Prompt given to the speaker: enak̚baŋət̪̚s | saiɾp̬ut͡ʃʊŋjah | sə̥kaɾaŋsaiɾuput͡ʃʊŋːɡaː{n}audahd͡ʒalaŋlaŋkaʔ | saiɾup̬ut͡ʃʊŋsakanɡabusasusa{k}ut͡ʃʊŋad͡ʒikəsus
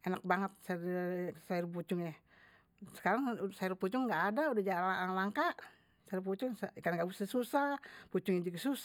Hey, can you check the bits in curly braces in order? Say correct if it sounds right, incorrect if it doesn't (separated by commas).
incorrect, incorrect